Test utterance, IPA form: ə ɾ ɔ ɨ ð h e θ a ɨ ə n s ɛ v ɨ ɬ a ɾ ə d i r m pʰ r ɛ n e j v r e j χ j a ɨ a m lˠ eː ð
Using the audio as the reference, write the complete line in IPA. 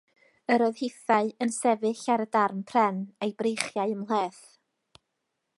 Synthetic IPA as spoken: ə ɾ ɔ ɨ ð h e θ a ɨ ə n s ɛ v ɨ ɬ a ɾ ə d a r m pʰ r ɛ n e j b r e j χ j a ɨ ə m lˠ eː θ

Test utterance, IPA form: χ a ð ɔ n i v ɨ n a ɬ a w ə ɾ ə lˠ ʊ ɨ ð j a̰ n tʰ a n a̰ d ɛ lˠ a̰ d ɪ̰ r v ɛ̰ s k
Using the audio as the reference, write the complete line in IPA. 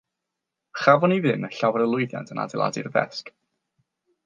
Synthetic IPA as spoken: χ a v ɔ n i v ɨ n ə ɬ a w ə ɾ ə lˠ ʊ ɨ ð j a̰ n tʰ ə n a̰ d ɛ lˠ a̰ d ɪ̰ r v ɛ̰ s k

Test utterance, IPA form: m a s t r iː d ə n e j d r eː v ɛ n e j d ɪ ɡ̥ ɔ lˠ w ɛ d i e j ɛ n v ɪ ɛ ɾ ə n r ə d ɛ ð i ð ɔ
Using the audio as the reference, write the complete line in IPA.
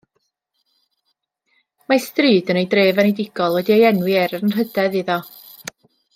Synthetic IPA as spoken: m a s t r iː d ə n e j d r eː v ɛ n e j d ɪ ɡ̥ ɔ lˠ w ɛ d i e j ɛ n w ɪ ɛ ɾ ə n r ə d ɛ ð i ð ɔ

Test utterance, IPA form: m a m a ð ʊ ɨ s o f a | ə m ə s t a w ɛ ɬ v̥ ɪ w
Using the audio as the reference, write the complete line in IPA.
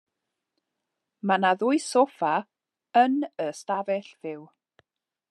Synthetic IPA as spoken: m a n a ð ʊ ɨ s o f a | ə n ə s t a v ɛ ɬ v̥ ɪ w

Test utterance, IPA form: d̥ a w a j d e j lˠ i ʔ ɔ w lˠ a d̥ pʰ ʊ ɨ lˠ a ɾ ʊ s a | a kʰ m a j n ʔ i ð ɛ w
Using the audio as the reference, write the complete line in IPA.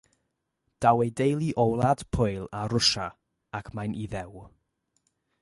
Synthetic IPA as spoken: d̥ a w e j d e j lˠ i ʔ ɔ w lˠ a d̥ pʰ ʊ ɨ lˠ a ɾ ʊ ʃ a | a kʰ m a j n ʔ i ð ɛ w

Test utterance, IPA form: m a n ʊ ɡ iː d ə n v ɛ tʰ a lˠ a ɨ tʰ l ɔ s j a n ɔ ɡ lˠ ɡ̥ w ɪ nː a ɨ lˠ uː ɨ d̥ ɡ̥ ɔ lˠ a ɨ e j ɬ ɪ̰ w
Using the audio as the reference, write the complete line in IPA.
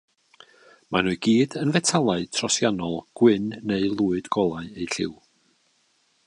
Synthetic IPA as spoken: m a n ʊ ɡ iː d ə n v ɛ tʰ a lˠ a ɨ tʰ r ɔ s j a n ɔ lˠ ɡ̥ w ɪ nː e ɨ lˠ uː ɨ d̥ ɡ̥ ɔ lˠ a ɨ e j ɬ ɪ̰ w

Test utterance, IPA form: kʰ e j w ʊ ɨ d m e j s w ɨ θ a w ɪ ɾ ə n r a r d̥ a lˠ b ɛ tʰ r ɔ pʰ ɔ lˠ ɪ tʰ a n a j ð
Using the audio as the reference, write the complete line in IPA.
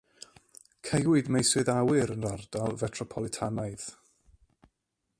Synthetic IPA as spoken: kʰ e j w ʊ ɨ d m e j s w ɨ ð a w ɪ ɾ ə n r a r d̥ a lˠ v ɛ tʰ r ɔ pʰ ɔ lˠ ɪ tʰ a n a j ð

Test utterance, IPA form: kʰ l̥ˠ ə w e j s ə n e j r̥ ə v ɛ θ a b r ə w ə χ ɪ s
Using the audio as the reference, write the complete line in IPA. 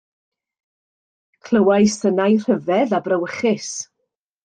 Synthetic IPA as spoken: kʰ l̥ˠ ə w a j s ə n a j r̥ ə v ɛ ð a b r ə w ə χ ɪ s

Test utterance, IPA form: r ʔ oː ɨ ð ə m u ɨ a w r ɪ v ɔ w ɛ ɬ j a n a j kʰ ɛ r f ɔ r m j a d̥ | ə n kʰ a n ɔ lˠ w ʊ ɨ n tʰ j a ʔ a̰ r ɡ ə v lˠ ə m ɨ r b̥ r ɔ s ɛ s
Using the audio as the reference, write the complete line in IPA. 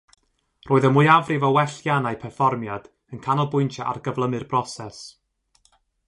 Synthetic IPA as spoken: r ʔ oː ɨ ð ə m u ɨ a v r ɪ v ɔ w ɛ ɬ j a n a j pʰ ɛ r f ɔ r m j a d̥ | ə n kʰ a n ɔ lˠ b ʊ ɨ n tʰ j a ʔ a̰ r ɡ ə v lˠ ə m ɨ r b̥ r ɔ s ɛ s

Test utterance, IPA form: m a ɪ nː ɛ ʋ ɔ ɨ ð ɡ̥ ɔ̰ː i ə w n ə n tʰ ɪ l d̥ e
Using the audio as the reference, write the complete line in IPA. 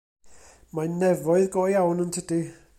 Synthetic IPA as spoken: m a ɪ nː ɛ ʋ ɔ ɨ ð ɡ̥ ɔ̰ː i a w n ə n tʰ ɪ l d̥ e

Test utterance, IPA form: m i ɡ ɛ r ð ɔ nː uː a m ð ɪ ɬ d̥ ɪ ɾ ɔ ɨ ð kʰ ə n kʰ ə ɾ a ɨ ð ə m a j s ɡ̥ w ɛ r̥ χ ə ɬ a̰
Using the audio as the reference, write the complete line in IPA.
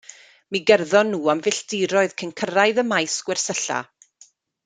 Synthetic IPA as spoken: m i ɡ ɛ r ð ɔ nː uː a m v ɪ ɬ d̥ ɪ ɾ ɔ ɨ ð kʰ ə n kʰ ə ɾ a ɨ ð ə m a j s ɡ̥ w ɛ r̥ s ə ɬ a̰

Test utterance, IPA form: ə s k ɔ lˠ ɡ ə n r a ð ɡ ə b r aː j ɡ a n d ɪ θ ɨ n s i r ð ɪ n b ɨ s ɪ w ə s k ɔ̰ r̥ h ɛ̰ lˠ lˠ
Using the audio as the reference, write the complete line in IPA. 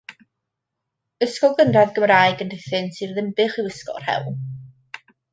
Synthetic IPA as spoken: ə s k ɔ lˠ ɡ ə n r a ð ɡ ə m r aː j ɡ ə n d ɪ θ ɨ n s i r ð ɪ m b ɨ χ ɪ w ə s k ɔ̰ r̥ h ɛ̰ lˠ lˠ

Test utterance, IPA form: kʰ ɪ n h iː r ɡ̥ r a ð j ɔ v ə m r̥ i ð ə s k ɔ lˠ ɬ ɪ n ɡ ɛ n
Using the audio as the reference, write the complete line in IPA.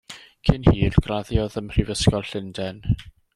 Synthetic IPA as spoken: kʰ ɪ n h iː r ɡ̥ r a ð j ɔ ð ə m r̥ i v ə s k ɔ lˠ ɬ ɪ n d ɛ n

